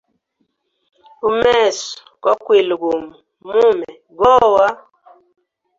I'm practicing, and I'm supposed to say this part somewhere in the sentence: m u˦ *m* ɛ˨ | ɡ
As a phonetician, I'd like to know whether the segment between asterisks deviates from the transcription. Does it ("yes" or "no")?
no